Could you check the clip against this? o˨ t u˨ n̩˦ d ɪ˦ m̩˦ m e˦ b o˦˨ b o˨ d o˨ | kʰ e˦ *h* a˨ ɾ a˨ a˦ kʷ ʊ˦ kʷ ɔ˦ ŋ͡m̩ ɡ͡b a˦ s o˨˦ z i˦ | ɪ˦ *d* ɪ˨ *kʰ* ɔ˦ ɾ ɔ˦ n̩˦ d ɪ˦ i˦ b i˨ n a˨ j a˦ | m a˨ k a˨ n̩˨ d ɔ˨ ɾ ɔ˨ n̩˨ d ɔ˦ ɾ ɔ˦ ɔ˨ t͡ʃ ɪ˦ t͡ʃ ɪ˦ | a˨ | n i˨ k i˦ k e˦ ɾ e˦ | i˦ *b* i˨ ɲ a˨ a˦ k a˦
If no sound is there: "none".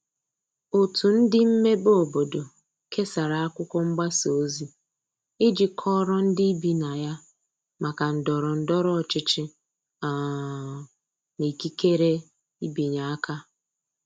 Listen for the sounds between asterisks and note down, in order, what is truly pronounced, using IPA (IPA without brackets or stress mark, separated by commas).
s, d͡ʒ, kʰ, b